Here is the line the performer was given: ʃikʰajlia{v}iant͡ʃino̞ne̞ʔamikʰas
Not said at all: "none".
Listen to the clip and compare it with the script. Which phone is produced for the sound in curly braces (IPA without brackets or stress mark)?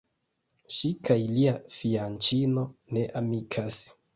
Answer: f